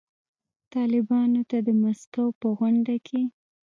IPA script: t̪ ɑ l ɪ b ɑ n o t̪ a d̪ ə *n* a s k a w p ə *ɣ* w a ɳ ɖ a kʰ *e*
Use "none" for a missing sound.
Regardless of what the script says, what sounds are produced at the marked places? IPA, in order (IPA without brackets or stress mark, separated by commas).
m, ɣ, e